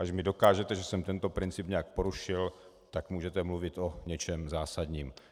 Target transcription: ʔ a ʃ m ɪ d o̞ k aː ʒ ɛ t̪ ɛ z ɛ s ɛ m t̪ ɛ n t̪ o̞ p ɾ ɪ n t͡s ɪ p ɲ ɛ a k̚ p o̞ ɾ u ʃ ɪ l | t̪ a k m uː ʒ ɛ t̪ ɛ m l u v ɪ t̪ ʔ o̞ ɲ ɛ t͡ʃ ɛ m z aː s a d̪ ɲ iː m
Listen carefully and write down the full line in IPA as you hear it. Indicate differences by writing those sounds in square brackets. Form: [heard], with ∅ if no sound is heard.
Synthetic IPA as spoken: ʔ a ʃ m ɪ d o̞ k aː ʒ ɛ t̪ ɛ [ʒ] ɛ s ɛ m t̪ ɛ n t̪ o̞ p ɾ ɪ n t͡s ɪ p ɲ ɛ a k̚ p o̞ ɾ u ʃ ɪ l | t̪ a k m uː ʒ ɛ t̪ ɛ m l u v ɪ t̪ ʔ o̞ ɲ ɛ t͡ʃ ɛ m z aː s a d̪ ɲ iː m